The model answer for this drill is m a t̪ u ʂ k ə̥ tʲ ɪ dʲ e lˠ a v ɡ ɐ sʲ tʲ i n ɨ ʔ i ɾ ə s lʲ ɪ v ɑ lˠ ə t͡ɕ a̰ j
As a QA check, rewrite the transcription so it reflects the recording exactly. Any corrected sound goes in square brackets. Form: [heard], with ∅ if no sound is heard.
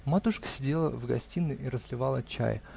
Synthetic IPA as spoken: m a t̪ u ʂ k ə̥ [sʲ] ɪ dʲ e lˠ [ə] v ɡ ɐ sʲ tʲ i n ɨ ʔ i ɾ ə s lʲ ɪ v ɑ lˠ ə t͡ɕ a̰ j